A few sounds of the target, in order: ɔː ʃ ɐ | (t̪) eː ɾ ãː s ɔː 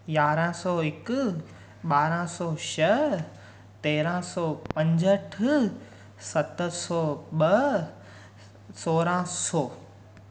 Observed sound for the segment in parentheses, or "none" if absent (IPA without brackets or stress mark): t̪